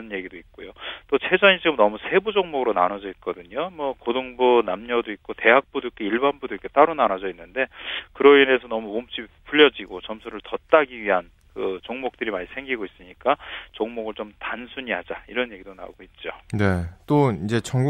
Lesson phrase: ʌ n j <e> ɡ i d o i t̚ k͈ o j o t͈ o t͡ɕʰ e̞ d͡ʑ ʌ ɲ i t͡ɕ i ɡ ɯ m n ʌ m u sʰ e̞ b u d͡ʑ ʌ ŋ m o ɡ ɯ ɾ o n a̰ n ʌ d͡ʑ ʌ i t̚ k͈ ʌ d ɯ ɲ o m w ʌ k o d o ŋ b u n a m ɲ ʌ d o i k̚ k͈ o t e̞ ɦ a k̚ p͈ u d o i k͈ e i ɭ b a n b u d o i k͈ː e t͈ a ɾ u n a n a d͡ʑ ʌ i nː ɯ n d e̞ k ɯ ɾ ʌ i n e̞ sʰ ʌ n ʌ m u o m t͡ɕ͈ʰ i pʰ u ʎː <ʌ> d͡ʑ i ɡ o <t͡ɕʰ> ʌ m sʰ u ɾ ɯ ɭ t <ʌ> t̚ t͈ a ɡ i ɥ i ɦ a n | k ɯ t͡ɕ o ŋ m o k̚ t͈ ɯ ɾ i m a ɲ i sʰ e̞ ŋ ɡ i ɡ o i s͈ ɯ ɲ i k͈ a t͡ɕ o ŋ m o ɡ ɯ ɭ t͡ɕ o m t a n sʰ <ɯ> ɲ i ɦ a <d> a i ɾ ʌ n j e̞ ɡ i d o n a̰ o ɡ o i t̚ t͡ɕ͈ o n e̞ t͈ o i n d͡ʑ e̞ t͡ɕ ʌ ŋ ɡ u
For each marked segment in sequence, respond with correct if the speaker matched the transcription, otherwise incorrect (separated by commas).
correct, correct, incorrect, correct, incorrect, incorrect